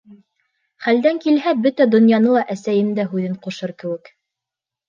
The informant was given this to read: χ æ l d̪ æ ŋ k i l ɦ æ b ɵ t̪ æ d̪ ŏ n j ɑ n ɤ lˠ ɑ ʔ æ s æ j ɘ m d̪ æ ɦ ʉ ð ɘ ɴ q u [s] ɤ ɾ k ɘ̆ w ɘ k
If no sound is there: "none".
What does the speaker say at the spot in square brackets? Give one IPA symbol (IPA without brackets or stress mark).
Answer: ʃ